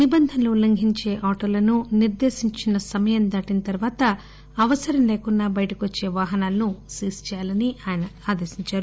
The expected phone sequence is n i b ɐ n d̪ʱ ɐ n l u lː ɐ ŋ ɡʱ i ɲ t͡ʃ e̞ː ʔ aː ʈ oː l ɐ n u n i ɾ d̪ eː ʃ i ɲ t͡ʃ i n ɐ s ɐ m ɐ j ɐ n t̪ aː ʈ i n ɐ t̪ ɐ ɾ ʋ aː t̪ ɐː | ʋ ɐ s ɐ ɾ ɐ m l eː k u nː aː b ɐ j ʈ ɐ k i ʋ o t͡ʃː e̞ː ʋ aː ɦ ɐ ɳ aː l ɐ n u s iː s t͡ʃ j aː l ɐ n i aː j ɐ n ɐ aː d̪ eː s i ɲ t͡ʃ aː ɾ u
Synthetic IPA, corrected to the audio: n i b ɐ n d̪ʱ ɐ n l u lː ɐ ŋ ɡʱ i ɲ t͡ʃ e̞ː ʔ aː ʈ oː l ɐ n u n i ɾ d̪ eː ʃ i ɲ t͡ʃ i n ɐ s ɐ m ɐ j ɐ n d̪ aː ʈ i n ɐ t̪ ɐ ɾ ʋ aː t̪ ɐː | ʋ ɐ s ɐ ɾ ɐ m l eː k u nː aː b ɐ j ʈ ɐ k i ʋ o t͡ʃː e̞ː ʋ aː ɦ ɐ n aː l ɐ n u s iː s t͡ʃ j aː l ɐ n i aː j ɐ n ɐ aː d̪ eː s i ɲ t͡ʃ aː ɾ u